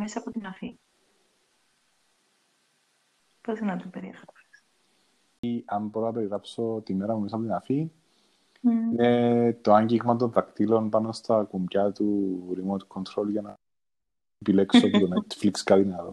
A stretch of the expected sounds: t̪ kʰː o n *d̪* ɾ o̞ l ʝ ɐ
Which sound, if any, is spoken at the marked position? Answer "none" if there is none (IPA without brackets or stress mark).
t̪